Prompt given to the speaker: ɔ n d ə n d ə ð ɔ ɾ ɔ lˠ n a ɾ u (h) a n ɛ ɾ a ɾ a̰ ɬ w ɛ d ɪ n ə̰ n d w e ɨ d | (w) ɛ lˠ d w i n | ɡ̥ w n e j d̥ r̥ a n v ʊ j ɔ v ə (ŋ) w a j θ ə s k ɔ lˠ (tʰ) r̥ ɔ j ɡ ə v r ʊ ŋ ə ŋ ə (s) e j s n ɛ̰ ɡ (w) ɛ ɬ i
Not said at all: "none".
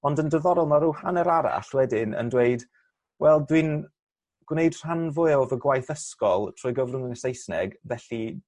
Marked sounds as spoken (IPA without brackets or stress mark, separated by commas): h, w, ɡ, tʰ, s, v